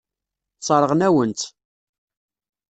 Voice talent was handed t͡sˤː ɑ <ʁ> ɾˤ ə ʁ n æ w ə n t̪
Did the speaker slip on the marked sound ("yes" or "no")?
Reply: yes